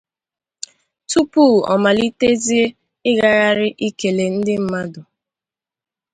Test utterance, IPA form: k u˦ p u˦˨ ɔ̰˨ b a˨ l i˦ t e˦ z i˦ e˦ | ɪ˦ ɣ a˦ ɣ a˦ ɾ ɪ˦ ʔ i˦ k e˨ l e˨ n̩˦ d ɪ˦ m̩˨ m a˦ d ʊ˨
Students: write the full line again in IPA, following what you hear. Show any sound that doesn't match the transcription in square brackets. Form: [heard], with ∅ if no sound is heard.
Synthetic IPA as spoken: [t] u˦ p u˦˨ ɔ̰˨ [m] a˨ l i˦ t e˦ z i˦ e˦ | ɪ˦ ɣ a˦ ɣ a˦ ɾ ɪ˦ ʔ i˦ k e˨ l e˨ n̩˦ d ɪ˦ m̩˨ m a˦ d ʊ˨